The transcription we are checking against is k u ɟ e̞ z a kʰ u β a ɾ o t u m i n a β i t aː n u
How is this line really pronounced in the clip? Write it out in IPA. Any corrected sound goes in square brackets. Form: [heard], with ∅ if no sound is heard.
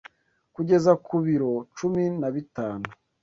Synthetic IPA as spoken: k u ɟ e̞ z a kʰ u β [i] ɾ o [t͡ʃ] u m i n a β i t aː n u

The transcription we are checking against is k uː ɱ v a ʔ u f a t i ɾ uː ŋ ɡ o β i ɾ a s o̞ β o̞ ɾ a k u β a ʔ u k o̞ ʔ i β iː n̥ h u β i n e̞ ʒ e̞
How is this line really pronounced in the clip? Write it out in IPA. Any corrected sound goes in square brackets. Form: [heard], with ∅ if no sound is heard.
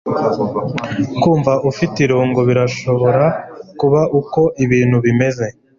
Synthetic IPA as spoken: k uː ɱ v a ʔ u f [i] t i ɾ uː ŋ ɡ o β i ɾ a [ʃ] o̞ β o̞ ɾ a k u β a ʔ u k o̞ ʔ i β iː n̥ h u β i [m] e̞ [z] e̞

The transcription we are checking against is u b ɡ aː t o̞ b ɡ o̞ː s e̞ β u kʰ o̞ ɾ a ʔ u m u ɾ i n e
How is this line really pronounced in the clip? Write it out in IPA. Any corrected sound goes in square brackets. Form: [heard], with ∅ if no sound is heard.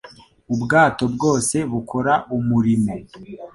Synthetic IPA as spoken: u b ɡ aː t o̞ b ɡ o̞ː s e̞ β u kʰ o̞ ɾ a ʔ u m u ɾ i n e

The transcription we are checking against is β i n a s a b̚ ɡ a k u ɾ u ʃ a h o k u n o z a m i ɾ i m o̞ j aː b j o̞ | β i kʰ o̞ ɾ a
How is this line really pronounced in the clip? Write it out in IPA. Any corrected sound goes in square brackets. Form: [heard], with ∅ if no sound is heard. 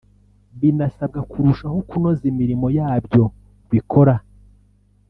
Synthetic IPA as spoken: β i n a s a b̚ ɡ a k u ɾ u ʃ a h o k u n o z [i] m i ɾ i m o̞ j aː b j o̞ | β i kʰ o̞ ɾ a

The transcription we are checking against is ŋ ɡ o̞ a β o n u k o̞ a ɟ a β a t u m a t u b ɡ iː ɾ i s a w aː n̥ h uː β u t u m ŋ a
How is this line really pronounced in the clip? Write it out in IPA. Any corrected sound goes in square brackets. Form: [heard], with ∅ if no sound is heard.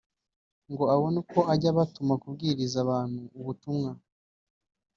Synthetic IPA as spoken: ŋ ɡ o̞ a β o n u k o̞ a ɟ a β a t u m a [k] u b ɡ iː ɾ i [z] a [β] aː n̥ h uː β u t u m ŋ a

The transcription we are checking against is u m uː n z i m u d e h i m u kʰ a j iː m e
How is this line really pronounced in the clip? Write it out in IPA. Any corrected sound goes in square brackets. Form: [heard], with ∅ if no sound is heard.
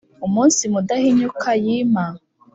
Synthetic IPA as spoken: u m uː n [s] i m u d [a] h i [ɲ] u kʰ a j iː m [a]

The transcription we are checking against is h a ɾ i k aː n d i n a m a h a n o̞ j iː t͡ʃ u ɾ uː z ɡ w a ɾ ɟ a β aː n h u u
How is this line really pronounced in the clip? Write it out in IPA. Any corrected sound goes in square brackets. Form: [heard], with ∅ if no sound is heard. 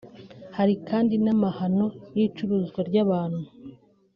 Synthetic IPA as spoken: h a ɾ i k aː n d i n a m a h a n o̞ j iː t͡ʃ u ɾ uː z ɡ w a ɾ ɟ a β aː n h u u

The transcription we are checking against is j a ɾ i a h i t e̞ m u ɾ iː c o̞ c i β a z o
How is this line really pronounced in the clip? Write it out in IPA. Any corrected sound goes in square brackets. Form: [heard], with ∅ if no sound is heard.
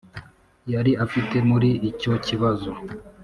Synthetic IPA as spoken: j a ɾ i a [f] i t e̞ m u ɾ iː c o̞ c i β a z o

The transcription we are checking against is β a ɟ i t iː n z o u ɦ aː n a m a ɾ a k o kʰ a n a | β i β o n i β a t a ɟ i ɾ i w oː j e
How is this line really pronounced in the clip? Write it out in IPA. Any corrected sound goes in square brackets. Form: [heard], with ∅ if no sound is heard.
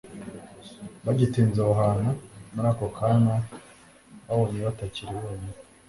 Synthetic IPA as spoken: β a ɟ i t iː n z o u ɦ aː n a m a ɾ a k o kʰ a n a | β [a] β o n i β a t a [c] i ɾ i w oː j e

